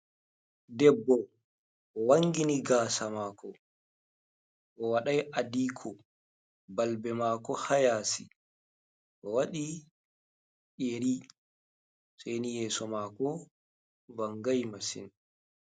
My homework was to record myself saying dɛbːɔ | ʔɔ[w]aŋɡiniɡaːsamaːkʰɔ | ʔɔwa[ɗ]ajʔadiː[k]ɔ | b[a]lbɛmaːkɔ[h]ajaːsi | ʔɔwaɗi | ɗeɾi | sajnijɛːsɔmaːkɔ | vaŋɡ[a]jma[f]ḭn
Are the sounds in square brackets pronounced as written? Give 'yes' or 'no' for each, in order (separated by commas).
yes, yes, no, yes, yes, yes, no